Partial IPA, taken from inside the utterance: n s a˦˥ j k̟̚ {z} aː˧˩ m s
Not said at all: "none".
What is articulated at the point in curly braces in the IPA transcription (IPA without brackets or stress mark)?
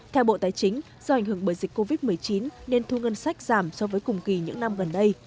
z